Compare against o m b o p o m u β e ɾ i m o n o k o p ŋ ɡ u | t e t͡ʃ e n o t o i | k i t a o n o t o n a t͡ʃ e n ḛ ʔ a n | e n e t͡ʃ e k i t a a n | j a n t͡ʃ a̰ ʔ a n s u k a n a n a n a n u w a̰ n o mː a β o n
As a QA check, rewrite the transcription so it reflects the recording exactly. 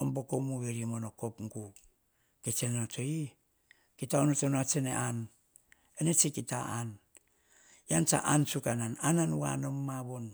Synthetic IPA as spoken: o m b o k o m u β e ɾ i m o n o k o p ŋ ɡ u | k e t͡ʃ e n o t o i | k i t a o n o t o n a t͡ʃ e n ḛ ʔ a n | e n e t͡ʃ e k i t a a n | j a n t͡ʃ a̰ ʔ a n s u k a n a n a n a n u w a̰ n o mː a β o n